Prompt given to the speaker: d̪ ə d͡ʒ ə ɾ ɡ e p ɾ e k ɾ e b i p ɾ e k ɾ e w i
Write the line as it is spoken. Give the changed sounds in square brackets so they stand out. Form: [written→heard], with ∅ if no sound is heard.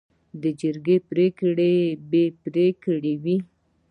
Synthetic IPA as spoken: d̪ ə d͡ʒ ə ɾ ɡ e p ɾ e k [ɾ→ɽ] e b [i→e] p ɾ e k [ɾ→ɽ] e w i